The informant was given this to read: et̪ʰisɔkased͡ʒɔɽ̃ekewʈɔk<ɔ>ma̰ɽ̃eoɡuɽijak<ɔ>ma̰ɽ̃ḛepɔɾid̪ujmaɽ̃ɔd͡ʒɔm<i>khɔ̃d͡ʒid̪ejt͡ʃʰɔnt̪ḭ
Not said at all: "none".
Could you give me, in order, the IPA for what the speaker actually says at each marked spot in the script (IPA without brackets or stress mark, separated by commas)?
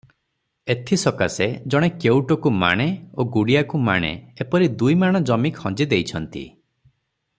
u, u, i